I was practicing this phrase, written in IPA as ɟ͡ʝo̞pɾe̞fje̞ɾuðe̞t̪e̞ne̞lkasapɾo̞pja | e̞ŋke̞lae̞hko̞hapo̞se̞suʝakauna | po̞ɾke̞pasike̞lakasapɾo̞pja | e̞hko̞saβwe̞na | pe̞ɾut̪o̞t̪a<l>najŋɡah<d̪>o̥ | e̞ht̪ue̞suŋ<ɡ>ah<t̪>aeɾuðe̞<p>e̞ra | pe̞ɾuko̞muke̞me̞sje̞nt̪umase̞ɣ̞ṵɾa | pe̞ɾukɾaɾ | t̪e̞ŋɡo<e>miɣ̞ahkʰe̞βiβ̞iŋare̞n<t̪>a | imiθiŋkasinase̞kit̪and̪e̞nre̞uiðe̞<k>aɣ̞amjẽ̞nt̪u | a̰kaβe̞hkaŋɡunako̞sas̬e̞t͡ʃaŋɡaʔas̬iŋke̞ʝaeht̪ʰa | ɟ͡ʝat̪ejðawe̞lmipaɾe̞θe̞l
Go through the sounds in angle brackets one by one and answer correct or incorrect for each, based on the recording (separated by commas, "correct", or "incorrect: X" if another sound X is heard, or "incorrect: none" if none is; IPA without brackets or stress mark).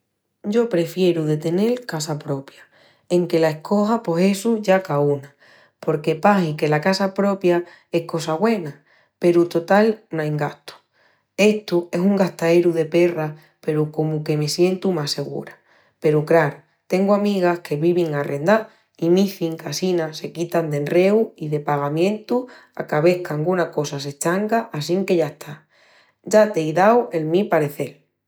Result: correct, incorrect: t̪, correct, correct, correct, incorrect: a, incorrect: d̪, incorrect: p